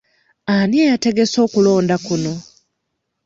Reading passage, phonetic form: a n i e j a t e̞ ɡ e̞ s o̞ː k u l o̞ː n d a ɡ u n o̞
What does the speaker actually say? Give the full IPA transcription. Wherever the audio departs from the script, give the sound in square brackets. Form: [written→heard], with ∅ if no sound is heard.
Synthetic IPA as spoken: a n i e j a t e̞ ɡ e̞ s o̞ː k u l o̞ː n d a [ɡ→k] u n o̞